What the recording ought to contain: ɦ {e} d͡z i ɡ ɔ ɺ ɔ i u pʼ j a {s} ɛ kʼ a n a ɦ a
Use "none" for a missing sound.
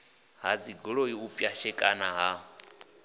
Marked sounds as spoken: a, ʃ

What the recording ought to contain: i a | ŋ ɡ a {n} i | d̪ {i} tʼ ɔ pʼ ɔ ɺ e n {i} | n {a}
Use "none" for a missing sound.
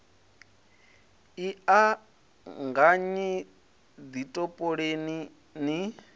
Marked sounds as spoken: ɲ, i, i, i

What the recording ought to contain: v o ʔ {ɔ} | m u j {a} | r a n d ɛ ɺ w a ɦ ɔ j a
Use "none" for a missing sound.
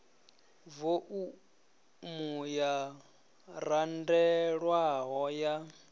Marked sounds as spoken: u, a

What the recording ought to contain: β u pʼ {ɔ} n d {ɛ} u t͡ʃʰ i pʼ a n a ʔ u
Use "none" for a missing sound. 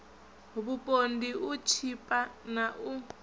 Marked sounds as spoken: o, i

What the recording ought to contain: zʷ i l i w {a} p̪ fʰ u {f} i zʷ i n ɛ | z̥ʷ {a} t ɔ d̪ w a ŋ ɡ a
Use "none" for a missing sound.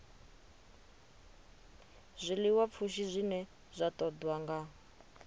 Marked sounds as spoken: a, ʃ, a

